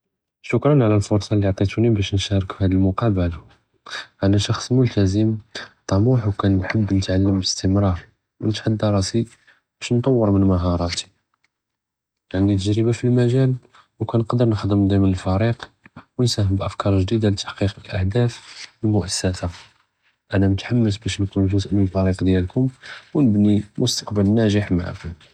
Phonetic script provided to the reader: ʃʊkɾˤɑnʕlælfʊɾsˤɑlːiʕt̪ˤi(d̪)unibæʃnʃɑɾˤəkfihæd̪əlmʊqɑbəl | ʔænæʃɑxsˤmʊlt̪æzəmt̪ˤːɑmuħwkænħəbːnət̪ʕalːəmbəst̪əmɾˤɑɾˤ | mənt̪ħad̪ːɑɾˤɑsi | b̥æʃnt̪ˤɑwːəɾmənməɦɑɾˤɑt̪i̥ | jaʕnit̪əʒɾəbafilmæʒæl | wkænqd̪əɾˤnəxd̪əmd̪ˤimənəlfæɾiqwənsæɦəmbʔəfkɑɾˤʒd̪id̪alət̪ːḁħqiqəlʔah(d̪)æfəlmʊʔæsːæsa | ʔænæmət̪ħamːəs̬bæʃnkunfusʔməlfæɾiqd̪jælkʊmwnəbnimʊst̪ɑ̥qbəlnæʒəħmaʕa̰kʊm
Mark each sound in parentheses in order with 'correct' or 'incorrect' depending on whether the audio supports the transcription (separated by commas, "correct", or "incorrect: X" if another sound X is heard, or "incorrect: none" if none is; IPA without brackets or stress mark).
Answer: incorrect: t̪, correct